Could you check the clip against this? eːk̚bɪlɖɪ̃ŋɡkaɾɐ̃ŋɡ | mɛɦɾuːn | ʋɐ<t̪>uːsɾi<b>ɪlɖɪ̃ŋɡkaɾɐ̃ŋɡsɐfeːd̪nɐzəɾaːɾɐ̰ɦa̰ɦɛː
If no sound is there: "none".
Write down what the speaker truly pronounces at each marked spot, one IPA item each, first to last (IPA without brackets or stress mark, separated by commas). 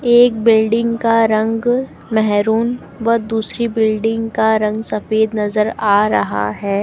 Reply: d̪, b